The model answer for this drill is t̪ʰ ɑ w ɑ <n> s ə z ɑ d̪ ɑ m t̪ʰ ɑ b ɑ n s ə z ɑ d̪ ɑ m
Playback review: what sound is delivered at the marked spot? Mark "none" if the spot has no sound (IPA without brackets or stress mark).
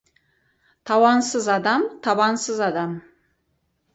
n